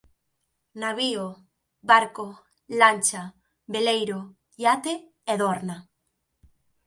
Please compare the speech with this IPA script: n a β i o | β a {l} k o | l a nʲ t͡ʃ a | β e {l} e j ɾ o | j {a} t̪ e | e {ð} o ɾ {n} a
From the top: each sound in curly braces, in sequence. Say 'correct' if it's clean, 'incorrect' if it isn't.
incorrect: ɾ, correct, correct, correct, correct

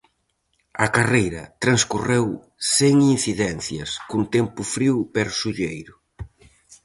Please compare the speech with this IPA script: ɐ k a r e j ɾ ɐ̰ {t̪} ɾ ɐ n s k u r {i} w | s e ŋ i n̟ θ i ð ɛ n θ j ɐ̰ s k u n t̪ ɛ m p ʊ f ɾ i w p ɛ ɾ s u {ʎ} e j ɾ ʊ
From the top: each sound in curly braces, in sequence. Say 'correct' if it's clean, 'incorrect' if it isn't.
correct, incorrect: e, correct

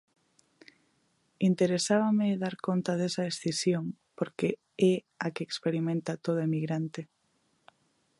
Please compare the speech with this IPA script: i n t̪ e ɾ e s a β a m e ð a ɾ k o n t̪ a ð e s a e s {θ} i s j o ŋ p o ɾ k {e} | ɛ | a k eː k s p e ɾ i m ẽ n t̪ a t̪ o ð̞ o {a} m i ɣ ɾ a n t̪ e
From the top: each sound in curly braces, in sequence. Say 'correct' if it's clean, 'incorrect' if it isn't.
correct, correct, incorrect: e

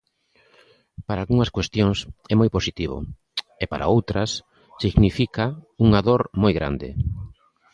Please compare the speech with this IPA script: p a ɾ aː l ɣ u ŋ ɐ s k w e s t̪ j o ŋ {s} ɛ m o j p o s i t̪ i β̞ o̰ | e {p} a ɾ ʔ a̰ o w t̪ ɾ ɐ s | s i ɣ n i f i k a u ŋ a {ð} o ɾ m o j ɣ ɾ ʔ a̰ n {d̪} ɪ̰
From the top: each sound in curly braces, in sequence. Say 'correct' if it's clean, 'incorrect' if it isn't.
correct, correct, correct, correct

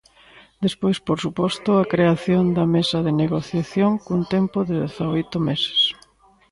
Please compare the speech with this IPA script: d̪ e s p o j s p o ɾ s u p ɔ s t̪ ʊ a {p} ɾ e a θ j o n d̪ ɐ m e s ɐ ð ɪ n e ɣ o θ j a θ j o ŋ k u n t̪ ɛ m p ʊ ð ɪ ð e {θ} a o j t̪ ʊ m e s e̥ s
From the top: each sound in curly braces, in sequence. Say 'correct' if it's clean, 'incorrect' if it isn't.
incorrect: k, correct

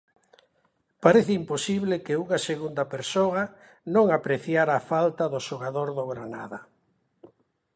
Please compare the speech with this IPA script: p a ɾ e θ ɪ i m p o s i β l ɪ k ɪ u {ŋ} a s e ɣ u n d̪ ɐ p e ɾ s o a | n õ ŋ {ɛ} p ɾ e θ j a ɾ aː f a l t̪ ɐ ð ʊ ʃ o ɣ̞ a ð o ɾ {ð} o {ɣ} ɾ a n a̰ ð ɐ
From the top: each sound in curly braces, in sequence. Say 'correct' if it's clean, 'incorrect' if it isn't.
correct, incorrect: a, correct, correct

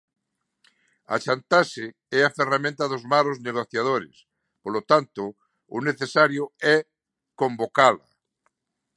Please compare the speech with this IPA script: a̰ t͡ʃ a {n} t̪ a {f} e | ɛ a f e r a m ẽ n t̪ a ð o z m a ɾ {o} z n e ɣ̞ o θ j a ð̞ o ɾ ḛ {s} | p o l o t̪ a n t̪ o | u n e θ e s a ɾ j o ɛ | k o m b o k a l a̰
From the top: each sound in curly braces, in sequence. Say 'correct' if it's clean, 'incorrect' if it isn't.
correct, incorrect: s, correct, correct

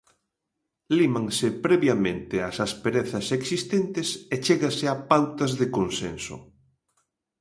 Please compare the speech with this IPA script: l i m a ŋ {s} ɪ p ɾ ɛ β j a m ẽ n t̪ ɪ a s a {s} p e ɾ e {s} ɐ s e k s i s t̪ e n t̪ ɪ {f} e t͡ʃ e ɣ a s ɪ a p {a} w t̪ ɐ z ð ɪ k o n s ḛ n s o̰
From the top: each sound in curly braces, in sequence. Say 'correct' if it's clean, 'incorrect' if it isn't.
correct, correct, incorrect: θ, incorrect: s, correct

